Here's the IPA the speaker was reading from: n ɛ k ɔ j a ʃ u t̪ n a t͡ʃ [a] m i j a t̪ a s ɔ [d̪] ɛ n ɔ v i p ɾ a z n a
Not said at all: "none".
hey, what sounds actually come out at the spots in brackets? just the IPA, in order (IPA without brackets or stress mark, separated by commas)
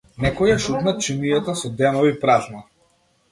i, d̪